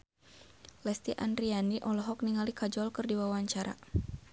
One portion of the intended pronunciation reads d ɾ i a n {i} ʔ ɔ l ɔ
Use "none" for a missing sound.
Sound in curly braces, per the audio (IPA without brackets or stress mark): i